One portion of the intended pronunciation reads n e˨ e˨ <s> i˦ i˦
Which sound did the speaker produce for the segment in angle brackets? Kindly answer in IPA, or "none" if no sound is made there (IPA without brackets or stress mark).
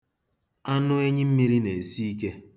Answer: s